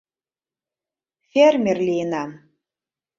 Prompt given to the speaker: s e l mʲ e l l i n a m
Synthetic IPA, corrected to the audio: f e r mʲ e r l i n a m